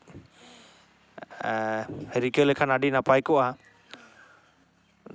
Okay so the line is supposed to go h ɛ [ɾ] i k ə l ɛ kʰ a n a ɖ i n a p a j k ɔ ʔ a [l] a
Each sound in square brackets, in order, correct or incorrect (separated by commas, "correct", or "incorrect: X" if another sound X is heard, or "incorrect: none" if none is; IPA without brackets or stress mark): correct, incorrect: none